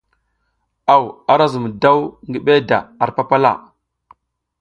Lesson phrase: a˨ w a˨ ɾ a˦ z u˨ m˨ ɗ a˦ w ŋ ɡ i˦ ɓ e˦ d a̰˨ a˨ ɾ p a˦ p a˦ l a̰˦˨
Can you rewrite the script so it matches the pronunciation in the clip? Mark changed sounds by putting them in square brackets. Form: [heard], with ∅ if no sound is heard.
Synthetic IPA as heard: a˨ w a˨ ɾ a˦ z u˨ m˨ [d] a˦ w ŋ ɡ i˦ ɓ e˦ d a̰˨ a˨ ɾ p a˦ p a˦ l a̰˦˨